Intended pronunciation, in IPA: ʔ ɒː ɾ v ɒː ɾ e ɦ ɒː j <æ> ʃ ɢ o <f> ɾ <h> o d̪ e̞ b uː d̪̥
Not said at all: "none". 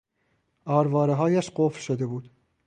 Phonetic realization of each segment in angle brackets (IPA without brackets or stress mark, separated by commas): æ, f, ʃ